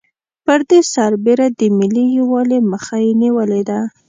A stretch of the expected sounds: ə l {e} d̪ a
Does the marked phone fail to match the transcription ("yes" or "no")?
no